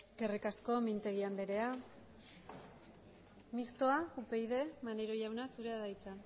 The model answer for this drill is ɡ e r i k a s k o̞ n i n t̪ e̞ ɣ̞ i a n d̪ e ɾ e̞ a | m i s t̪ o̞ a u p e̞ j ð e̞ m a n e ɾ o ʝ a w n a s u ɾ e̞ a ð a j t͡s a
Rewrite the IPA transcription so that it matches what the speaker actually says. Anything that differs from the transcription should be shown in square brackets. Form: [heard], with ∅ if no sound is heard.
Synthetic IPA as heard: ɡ e r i k a s k o̞ [m] i n t̪ e̞ ɣ̞ i a n d̪ e ɾ e̞ a | m i s t̪ o̞ a u p e̞ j ð e̞ m a n e ɾ o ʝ a w n a s u ɾ e̞ a ð a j t͡s a

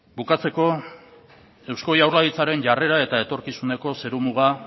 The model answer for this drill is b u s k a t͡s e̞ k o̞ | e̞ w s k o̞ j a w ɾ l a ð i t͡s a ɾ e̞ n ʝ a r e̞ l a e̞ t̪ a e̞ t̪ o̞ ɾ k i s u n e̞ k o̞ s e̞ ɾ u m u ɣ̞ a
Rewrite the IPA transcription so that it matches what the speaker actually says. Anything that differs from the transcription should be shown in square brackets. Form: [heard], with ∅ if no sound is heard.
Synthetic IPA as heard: b u [∅] k a t͡s e̞ k o̞ | e̞ w s k o̞ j a w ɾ l a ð i t͡s a ɾ e̞ n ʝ a r e̞ [ɾ] a e̞ t̪ a e̞ t̪ o̞ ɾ k i s u n e̞ k o̞ s e̞ ɾ u m u ɣ̞ a

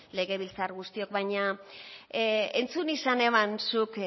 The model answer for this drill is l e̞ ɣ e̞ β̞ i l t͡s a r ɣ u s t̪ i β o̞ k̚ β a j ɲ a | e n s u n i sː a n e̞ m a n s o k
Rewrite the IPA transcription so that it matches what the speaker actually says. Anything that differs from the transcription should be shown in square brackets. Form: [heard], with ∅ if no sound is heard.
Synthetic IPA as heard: l e̞ ɣ e̞ β̞ i l t͡s a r ɣ u s t̪ i [∅] o̞ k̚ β a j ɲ a | e n [t͡s] u n i [s] a n e̞ m a n s [u] k

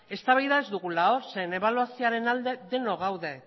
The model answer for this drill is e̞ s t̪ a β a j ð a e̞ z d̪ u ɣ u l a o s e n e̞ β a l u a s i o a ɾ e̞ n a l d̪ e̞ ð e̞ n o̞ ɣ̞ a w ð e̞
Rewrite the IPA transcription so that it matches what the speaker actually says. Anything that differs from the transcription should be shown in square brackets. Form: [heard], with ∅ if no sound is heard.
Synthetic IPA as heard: e̞ s t̪ a β a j ð a e̞ z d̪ u ɣ u l a o s e n e̞ β a l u a s i o a ɾ e̞ n a l d̪ e̞ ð e̞ n o̞ ɣ̞ a w ð e̞

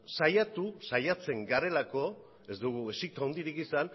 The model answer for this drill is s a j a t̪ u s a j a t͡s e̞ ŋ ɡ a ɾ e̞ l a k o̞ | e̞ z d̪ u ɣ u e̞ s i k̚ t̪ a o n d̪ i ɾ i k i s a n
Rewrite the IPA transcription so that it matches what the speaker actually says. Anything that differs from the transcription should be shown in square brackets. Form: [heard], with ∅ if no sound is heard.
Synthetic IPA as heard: s a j a t̪ u s a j a t͡s e̞ ŋ ɡ a ɾ e̞ l a k o̞ | e̞ z d̪ u ɣ u e̞ s i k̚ t̪ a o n d̪ i ɾ i k i s a n

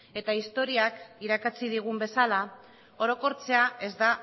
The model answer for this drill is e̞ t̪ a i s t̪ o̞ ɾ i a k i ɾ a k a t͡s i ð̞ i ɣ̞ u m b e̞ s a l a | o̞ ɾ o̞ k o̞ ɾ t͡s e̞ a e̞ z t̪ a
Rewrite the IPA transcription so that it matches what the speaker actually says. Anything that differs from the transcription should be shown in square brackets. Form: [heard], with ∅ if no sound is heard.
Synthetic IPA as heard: e̞ t̪ a i s t̪ o̞ ɾ i a k i ɾ a k a t͡s i ð̞ i ɣ̞ u m b e̞ s a l a | o̞ ɾ o̞ k o̞ ɾ t͡s e̞ a e̞ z [d̪] a

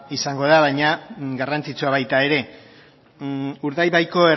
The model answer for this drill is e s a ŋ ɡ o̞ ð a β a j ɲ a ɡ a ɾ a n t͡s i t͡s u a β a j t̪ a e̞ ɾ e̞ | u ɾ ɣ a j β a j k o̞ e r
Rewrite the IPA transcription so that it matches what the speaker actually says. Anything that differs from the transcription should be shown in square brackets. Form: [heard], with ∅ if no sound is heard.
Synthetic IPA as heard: [i] s a ŋ ɡ o̞ ð a β a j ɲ a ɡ a [r] a n t͡s i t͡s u a β a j t̪ a e̞ ɾ e̞ | u ɾ [ð] a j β a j k o̞ e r

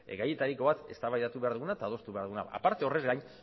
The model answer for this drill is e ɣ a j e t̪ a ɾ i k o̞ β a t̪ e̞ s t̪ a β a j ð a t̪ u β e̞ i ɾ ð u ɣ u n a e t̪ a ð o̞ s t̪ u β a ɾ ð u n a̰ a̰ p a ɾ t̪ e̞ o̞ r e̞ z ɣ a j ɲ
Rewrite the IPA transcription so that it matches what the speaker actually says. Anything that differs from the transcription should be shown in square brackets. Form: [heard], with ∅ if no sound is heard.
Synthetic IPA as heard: e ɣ a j e t̪ a ɾ i k o̞ β a t̪ e̞ s t̪ a β a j ð a t̪ u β e̞ [a] ɾ ð u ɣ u n a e t̪ a ð o̞ s t̪ u β a ɾ ð u n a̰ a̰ p a ɾ t̪ e̞ o̞ r e̞ z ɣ a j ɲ

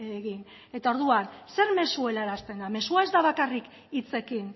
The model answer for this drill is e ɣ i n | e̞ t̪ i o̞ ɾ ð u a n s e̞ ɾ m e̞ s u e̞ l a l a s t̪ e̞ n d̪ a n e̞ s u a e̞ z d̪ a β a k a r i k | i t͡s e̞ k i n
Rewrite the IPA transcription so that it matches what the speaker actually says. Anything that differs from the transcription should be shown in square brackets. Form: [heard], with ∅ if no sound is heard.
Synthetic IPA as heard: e ɣ i n | e̞ t̪ [a] o̞ ɾ ð u a n s e̞ ɾ m e̞ s u e̞ l a [ɾ] a s t̪ e̞ n d̪ a [m] e̞ s u a e̞ z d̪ a β a k a r i k | i t͡s e̞ k i n

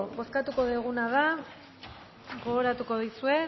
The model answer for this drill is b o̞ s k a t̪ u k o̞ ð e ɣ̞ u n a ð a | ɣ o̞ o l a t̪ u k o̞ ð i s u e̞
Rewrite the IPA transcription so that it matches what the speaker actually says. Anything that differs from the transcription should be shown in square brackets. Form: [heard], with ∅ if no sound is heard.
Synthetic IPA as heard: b o̞ s k a t̪ u k o̞ ð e ɣ̞ u n a ð a | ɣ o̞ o [ɾ] a t̪ u k o̞ ð i s u e̞

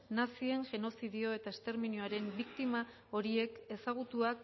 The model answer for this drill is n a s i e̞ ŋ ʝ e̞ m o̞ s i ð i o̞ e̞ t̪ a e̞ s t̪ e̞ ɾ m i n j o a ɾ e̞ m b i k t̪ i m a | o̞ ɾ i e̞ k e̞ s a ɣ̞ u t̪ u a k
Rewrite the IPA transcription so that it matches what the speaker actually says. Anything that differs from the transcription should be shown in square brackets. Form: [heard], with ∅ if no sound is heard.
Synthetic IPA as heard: n a s i e̞ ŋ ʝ e̞ [n] o̞ s i ð i o̞ e̞ t̪ a e̞ s t̪ e̞ ɾ m i n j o a ɾ e̞ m b i k t̪ i m a | o̞ ɾ i e̞ k e̞ s a ɣ̞ u t̪ u a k

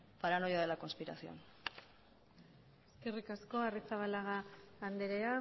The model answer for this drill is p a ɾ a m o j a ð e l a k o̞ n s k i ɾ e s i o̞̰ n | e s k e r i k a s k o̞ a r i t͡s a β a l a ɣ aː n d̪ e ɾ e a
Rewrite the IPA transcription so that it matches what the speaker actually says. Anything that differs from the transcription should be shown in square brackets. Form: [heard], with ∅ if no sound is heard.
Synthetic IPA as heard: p a ɾ a [n] o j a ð e l a k o̞ n s [p] i ɾ [a] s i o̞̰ n | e s k e r i k a s k o̞ a r i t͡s a β a l a ɣ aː n d̪ e ɾ e a

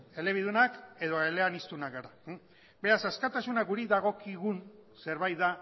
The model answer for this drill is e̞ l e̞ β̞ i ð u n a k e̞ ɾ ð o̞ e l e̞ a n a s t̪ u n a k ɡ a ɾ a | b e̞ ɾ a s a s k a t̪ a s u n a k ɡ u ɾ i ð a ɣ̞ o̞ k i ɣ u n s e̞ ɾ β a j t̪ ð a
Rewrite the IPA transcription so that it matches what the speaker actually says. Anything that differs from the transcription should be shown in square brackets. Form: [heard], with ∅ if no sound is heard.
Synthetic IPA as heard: e̞ l e̞ β̞ i ð u n a k e̞ [∅] ð o̞ e l e̞ a n [i] s t̪ u n a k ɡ a ɾ a | b e̞ ɾ a s a s k a t̪ a s u n a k ɡ u ɾ i ð a ɣ̞ o̞ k i ɣ u n s e̞ ɾ β a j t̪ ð a

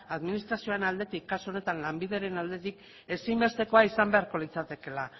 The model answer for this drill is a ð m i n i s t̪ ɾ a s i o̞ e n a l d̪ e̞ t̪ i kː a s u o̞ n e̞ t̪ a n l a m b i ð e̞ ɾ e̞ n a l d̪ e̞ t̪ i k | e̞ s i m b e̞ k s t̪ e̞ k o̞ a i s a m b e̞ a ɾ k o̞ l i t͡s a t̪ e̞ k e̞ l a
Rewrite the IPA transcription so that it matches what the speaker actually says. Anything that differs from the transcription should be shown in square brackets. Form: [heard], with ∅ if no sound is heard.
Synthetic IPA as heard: a ð m i n i s t̪ ɾ a s i o̞ e n a l d̪ e̞ t̪ i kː a s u o̞ n e̞ t̪ a n l a m b i ð e̞ ɾ e̞ n a l d̪ e̞ t̪ i k | e̞ s i m b e̞ [∅] s t̪ e̞ k o̞ a i s a m b e̞ a ɾ k o̞ l i t͡s a t̪ e̞ k e̞ l a

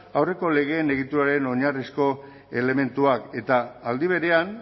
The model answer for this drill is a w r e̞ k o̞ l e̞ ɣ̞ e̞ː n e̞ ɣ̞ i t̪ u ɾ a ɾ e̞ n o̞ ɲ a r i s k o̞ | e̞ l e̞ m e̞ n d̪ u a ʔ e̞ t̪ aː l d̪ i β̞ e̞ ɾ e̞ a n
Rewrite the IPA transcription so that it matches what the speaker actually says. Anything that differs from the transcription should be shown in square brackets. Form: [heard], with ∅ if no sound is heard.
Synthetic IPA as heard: a w r e̞ k o̞ l e̞ ɣ̞ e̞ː n e̞ ɣ̞ i t̪ u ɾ a ɾ e̞ n o̞ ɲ a r i s k o̞ | e̞ l e̞ m e̞ n [t̪] u a [k] e̞ t̪ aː l d̪ i β̞ e̞ ɾ e̞ a n

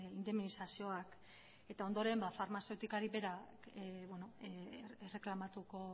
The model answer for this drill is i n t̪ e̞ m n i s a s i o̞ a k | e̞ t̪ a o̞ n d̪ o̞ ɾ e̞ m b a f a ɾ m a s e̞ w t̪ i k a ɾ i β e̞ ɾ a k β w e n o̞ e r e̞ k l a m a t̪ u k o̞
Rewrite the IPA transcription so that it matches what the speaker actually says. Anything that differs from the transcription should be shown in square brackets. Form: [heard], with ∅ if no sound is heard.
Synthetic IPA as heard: i n [d̪] e̞ m n i s a s i o̞ a k | e̞ t̪ a o̞ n d̪ o̞ ɾ e̞ m b a f a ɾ m a s e̞ w t̪ i k a ɾ i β e̞ ɾ a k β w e n o̞ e r e̞ k l a m a t̪ u k o̞

